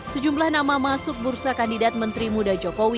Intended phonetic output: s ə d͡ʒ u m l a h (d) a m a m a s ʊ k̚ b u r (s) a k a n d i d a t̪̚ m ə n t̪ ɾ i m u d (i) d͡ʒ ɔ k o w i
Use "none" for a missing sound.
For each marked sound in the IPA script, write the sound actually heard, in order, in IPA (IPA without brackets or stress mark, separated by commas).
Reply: n, s, a